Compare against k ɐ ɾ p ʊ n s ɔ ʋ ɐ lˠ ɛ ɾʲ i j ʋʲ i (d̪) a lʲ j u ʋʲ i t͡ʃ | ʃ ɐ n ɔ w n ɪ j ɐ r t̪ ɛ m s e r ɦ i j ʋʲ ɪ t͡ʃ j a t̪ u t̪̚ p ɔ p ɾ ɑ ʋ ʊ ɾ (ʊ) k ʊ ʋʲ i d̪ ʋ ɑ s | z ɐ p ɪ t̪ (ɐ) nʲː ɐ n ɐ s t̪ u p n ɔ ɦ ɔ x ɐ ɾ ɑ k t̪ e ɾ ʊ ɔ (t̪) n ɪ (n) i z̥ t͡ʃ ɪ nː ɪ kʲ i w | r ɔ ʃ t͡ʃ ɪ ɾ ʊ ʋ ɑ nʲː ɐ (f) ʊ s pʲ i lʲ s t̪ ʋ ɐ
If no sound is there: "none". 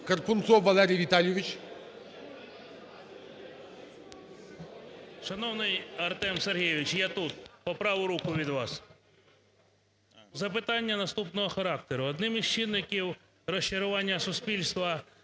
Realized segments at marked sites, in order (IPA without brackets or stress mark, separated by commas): t̪, u, ɑ, d̪, m, s